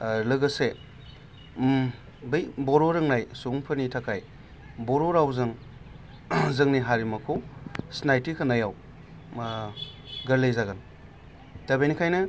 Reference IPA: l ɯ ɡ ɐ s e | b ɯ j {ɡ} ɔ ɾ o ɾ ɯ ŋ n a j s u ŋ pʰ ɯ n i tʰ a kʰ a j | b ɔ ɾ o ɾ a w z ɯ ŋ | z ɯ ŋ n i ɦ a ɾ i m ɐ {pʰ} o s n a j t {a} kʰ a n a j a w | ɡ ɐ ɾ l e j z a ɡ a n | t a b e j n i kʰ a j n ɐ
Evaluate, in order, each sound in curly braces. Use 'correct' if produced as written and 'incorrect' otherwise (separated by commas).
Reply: incorrect, incorrect, incorrect